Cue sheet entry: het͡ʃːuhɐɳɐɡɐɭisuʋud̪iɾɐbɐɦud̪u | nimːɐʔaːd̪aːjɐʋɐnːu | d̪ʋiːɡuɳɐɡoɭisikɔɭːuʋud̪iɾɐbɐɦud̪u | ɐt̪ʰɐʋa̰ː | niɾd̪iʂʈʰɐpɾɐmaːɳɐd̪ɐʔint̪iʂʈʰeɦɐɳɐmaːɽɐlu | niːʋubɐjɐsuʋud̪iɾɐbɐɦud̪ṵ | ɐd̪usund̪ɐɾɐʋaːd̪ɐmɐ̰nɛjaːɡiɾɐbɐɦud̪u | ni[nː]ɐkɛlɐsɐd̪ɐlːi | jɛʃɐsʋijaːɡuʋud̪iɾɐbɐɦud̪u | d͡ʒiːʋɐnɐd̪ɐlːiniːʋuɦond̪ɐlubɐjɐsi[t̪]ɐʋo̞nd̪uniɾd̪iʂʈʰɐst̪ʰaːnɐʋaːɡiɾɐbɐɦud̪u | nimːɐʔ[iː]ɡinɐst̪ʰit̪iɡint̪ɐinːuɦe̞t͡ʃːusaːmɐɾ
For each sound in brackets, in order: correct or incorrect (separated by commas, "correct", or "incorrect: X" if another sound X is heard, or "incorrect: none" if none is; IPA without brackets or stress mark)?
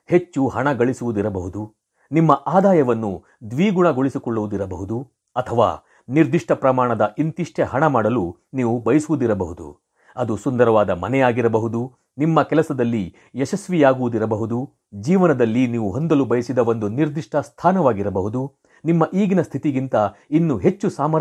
incorrect: mː, incorrect: d̪, correct